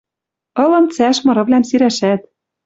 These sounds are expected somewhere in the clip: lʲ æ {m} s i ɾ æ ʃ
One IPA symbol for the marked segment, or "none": m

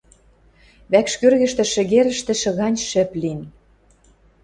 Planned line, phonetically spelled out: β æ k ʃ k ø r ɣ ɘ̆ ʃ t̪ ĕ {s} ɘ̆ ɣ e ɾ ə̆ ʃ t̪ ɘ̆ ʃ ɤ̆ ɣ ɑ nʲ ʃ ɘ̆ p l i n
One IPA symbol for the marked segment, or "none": ʃ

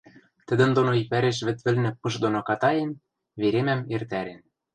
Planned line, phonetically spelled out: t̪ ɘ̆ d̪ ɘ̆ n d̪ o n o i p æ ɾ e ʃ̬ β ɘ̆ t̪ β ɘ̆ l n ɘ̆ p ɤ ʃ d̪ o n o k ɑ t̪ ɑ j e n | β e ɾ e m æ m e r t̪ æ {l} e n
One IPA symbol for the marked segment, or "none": ɾ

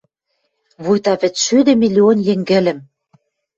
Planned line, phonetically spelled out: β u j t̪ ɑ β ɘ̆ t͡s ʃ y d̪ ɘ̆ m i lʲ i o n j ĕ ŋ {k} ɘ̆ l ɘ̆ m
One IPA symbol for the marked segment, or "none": ɡ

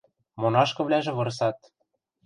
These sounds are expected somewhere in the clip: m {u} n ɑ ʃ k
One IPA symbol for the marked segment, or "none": o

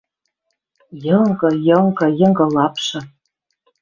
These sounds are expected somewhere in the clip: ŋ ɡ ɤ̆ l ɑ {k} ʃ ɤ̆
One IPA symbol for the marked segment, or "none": p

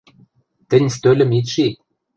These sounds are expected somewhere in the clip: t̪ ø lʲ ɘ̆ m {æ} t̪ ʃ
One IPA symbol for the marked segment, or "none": i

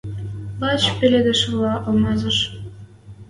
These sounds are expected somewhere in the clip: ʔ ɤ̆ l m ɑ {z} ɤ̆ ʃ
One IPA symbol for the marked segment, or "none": z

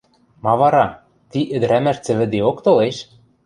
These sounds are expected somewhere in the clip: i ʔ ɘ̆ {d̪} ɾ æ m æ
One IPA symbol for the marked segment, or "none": d̪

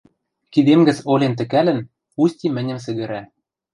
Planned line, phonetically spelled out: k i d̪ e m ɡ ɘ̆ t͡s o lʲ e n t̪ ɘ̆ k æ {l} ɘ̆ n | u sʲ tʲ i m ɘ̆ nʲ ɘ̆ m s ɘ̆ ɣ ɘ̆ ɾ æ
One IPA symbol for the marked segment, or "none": l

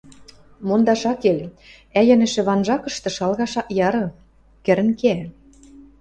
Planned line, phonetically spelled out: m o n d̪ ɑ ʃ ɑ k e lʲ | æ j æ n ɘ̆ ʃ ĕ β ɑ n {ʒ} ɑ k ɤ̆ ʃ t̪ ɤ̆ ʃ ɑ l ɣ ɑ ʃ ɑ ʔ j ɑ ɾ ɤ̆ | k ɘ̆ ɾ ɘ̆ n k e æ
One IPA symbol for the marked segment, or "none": ʒ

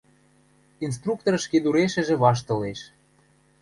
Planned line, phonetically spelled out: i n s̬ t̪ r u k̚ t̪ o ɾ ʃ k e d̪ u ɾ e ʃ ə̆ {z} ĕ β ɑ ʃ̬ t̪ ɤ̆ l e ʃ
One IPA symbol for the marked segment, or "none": ʒ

